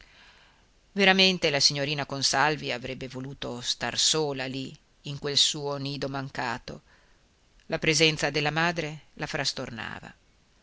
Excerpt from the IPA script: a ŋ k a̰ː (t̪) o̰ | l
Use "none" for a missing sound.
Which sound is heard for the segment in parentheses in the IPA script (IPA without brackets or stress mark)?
t̪